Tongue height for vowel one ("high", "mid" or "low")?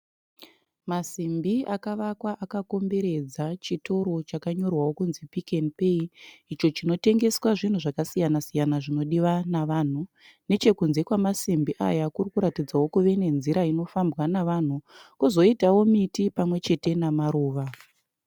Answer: low